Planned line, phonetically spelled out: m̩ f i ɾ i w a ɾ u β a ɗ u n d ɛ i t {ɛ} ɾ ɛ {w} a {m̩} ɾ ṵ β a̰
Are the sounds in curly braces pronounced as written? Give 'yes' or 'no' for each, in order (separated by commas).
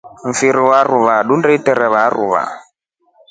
yes, no, no